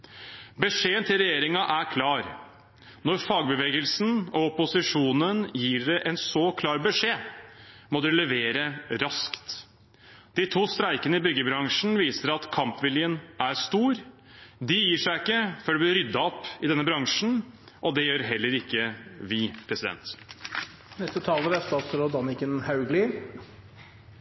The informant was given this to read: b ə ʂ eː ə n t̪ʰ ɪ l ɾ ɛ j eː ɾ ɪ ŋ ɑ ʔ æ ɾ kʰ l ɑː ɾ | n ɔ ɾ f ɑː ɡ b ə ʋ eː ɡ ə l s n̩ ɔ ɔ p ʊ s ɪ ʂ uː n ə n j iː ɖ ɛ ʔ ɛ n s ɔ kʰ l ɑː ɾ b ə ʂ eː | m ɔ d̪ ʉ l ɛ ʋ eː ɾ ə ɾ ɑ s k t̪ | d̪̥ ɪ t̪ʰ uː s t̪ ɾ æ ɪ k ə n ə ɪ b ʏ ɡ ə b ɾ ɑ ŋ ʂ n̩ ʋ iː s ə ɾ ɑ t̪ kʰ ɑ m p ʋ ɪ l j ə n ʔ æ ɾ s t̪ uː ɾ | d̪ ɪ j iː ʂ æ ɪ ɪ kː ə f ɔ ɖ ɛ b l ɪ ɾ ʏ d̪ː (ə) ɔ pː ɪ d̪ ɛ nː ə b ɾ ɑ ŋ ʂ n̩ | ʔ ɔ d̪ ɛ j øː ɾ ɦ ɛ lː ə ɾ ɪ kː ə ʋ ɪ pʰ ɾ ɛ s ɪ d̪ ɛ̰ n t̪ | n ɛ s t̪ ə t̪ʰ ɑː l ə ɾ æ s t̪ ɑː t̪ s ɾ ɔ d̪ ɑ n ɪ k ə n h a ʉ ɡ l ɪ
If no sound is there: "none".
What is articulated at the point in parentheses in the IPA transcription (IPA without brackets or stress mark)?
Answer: ɑ